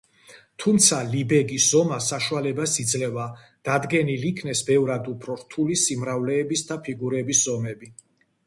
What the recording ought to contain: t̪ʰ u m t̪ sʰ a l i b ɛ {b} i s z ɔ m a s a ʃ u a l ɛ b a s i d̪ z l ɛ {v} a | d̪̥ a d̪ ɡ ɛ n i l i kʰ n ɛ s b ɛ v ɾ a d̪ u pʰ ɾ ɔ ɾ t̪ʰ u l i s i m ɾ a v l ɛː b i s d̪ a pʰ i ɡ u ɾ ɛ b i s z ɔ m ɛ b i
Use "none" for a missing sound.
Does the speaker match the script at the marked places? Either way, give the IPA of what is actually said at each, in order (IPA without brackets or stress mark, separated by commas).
ɡ, v